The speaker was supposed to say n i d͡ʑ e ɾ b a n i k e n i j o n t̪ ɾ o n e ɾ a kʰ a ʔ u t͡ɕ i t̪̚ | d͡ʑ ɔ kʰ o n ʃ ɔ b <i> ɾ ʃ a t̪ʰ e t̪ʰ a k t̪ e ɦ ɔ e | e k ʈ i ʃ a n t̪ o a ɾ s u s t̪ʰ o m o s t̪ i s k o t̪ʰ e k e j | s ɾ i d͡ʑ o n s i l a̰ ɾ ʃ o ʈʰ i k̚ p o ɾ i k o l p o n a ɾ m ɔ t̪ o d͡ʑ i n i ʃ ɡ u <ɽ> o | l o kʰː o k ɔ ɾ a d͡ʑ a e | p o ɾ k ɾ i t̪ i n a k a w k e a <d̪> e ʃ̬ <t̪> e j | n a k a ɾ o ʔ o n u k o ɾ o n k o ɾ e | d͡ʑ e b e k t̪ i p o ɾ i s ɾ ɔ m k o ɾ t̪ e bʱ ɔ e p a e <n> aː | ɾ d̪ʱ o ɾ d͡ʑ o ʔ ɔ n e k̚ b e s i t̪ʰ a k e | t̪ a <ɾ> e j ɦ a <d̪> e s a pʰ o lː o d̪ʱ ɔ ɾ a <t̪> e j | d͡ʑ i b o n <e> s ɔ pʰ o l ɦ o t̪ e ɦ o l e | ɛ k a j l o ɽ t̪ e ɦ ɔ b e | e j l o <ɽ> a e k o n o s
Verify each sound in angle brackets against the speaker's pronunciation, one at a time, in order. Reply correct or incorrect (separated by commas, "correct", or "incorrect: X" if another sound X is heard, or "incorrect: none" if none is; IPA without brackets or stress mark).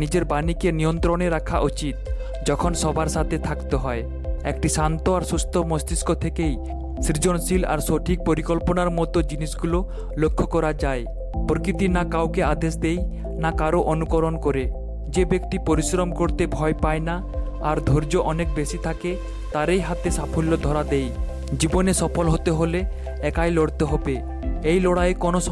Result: incorrect: a, incorrect: l, correct, incorrect: d̪, correct, correct, incorrect: t̪, incorrect: d̪, correct, correct